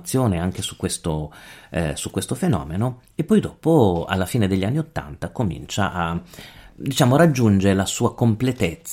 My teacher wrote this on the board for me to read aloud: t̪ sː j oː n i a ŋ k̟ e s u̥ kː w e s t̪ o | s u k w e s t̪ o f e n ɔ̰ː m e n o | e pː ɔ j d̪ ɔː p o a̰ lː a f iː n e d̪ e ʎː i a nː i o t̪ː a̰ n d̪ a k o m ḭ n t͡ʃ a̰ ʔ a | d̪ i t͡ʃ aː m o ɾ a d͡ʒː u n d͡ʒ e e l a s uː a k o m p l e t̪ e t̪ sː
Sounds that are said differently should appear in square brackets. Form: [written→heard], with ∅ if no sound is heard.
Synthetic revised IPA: t̪ sː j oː n [i→e] a ŋ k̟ e s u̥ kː w e s t̪ o | s u k w e s t̪ o f e n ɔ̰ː m e n o | e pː ɔ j d̪ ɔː p o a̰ lː a f iː n e d̪ e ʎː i a nː i o t̪ː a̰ n [d̪→t̪] a k o m ḭ n t͡ʃ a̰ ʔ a | d̪ i t͡ʃ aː m o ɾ a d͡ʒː u n d͡ʒ e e l a s uː a k o m p l e t̪ e t̪ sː